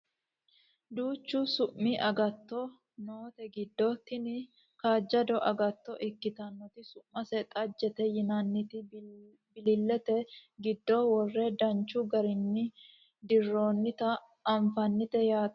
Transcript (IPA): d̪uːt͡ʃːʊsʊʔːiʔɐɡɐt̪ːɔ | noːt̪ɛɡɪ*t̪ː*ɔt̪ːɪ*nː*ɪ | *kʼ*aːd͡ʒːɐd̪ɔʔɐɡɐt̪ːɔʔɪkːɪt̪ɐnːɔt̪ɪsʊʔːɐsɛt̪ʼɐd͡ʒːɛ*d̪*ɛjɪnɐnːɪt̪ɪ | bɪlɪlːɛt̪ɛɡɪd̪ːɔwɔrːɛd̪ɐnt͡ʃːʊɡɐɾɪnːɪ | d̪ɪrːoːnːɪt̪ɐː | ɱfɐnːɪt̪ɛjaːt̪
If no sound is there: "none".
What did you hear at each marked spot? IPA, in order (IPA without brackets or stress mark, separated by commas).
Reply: d̪ː, n, k, t̪